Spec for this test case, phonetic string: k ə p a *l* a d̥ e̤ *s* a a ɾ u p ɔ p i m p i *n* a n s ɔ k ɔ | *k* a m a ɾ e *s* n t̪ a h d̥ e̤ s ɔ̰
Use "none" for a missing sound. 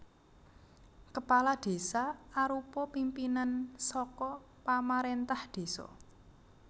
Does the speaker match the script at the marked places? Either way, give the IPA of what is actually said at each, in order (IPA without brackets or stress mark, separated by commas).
l, s, n, p, none